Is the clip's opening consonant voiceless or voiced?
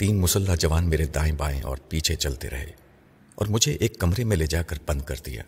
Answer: voiceless